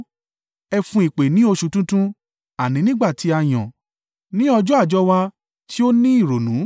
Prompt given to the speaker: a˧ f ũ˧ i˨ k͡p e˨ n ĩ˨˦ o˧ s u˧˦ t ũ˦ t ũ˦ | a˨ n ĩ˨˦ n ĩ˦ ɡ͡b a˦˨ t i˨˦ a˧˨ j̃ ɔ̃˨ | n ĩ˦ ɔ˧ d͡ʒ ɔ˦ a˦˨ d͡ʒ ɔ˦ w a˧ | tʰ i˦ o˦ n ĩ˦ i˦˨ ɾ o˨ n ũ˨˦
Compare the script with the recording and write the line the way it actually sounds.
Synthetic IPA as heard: ɛ˧ f ũ˧ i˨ k͡p e˨ n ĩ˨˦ o˧ ʃ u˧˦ t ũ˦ t ũ˦ | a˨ n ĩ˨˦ n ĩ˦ ɡ͡b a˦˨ t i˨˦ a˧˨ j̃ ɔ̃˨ | n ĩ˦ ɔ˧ d͡ʒ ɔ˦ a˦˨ d͡ʒ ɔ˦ w a˧ | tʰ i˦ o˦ n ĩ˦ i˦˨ ɾ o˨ n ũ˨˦